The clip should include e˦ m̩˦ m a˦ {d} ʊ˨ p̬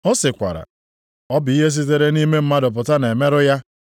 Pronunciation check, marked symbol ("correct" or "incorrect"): correct